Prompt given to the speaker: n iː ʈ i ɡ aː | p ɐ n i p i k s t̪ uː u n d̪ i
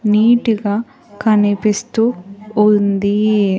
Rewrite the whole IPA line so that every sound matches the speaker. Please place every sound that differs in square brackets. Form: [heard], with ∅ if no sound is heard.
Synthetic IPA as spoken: n iː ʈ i ɡ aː | [k] ɐ n i p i [∅] s t̪ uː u n d̪ i